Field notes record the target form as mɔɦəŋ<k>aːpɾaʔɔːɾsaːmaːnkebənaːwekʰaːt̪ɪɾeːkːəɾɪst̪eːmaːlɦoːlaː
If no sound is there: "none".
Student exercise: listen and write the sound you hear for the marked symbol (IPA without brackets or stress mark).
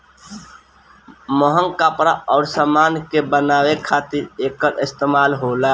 k